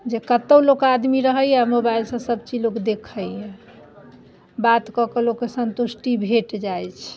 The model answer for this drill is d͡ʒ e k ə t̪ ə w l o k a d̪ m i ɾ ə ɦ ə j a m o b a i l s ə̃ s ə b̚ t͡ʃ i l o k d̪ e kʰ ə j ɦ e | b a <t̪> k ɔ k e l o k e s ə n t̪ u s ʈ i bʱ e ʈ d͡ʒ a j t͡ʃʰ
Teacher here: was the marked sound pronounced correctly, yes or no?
yes